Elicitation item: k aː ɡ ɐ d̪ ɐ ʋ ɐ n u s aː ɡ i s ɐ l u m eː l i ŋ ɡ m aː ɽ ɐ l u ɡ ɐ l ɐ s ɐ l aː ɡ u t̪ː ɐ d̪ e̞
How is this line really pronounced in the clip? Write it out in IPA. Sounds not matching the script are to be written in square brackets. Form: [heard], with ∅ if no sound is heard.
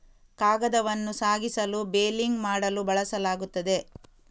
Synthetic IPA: k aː ɡ ɐ d̪ ɐ ʋ ɐ [nː] u s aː ɡ i s ɐ l u [b] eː l i ŋ ɡ m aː ɽ ɐ l u [b] ɐ [ɭ] ɐ s ɐ l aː ɡ u t̪ː ɐ d̪ e̞